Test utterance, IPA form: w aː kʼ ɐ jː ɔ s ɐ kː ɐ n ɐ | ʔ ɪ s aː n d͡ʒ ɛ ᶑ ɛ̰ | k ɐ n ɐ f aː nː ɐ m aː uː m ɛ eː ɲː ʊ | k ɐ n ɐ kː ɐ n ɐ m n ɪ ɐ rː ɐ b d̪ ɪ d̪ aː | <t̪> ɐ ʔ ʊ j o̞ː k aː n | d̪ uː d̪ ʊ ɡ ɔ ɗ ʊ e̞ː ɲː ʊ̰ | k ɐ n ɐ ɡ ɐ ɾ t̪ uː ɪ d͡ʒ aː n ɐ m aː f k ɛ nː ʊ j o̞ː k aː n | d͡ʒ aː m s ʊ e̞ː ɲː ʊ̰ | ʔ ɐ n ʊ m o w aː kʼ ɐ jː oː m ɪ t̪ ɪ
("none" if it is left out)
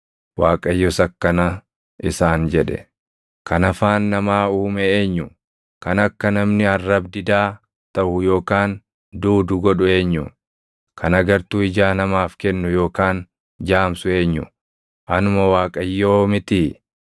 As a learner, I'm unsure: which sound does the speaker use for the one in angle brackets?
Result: t̪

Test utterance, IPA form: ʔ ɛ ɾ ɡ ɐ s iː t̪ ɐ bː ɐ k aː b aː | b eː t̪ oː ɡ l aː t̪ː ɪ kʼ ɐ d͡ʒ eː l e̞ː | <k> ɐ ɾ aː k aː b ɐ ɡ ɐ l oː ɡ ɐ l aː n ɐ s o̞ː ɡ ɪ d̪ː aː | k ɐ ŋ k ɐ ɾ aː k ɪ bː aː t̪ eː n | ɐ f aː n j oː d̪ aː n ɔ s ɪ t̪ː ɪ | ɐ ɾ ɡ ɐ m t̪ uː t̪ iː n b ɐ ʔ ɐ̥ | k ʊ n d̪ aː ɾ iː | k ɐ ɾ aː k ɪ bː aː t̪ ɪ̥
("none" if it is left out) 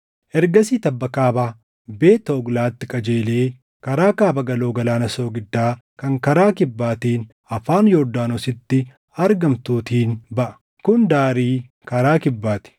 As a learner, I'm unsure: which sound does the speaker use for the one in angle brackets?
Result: k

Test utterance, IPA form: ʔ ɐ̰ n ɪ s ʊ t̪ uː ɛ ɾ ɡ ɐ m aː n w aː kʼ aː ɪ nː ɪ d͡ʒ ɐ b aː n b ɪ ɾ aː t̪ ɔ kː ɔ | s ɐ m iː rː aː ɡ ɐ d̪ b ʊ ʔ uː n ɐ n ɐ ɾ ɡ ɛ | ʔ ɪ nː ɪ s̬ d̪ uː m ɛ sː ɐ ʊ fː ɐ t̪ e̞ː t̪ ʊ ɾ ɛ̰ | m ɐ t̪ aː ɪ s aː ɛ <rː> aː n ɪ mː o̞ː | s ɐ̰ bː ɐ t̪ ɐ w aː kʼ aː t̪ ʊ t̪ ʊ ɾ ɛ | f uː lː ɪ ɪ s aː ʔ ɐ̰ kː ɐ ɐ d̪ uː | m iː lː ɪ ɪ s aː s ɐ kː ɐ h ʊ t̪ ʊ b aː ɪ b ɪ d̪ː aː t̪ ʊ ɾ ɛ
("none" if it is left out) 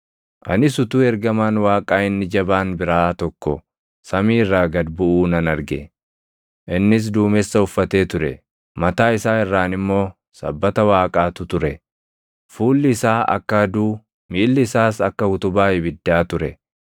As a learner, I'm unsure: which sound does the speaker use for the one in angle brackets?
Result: rː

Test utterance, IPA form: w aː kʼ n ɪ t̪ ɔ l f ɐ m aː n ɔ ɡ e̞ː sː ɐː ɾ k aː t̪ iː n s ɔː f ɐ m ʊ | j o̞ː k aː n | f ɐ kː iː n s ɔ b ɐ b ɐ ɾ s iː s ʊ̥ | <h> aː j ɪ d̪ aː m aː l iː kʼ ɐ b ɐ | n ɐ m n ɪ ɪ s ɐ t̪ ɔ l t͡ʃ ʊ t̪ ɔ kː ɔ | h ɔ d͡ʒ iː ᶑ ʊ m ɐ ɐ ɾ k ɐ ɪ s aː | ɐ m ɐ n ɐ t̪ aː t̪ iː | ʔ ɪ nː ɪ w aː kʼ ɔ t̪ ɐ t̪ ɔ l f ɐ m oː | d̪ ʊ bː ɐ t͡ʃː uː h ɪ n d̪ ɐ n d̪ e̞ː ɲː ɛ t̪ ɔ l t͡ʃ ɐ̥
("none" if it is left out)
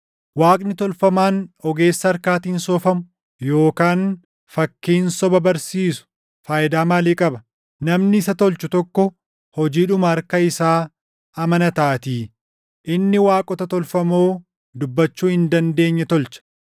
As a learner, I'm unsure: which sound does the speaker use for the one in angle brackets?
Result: f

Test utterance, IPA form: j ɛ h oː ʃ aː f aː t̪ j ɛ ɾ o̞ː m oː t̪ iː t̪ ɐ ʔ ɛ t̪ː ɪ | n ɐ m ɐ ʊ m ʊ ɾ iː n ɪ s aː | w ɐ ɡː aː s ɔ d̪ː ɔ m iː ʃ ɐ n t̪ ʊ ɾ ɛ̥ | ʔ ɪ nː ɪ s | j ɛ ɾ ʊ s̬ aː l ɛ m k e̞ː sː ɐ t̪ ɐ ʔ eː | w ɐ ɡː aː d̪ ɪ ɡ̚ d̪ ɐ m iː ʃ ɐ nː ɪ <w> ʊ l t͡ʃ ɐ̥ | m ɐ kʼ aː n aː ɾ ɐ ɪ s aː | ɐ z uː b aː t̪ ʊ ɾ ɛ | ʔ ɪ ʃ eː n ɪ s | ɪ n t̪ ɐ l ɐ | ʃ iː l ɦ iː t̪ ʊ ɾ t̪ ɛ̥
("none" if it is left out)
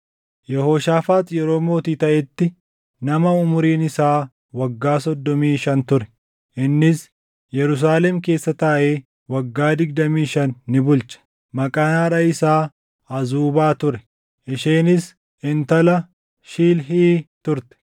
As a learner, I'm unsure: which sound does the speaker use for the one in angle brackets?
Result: b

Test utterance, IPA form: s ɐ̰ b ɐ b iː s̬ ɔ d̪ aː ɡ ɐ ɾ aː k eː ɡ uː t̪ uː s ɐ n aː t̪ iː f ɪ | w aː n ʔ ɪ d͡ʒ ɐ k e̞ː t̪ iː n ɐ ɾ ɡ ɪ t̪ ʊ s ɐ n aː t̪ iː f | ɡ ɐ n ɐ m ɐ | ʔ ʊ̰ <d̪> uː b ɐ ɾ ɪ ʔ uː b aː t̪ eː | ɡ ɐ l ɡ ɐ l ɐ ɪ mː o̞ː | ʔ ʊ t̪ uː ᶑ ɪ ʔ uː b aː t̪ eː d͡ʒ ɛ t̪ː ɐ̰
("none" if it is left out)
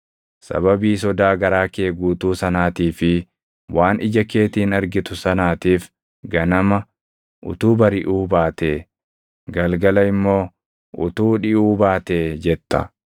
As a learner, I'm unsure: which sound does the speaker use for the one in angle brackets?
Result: t̪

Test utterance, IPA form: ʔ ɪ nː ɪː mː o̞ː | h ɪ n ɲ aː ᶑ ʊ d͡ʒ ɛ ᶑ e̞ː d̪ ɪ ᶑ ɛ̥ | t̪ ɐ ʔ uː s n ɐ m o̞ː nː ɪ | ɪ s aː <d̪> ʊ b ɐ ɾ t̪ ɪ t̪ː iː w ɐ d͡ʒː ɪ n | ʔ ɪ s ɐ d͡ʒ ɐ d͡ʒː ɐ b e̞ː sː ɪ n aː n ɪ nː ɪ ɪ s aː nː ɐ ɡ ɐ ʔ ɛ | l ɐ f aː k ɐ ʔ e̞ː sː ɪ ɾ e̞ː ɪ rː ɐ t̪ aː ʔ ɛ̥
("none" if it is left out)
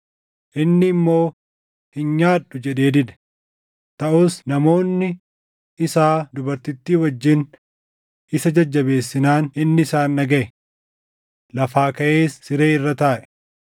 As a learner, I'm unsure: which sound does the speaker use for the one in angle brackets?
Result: d̪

